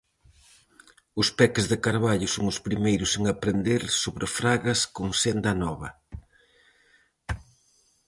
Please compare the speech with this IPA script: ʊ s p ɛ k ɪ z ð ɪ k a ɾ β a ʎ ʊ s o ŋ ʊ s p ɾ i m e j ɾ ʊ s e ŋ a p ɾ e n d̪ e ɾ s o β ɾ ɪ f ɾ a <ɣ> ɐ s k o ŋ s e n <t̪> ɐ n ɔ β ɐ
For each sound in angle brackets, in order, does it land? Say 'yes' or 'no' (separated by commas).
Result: yes, no